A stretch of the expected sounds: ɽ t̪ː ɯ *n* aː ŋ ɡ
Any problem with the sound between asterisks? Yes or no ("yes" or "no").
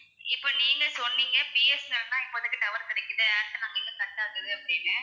no